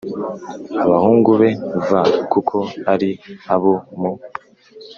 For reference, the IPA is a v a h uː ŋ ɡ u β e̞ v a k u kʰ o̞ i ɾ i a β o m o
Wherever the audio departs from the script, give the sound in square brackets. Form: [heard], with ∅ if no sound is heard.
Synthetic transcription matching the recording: a [β] a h uː ŋ ɡ u β e̞ v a k u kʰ o̞ [a] ɾ i a β o m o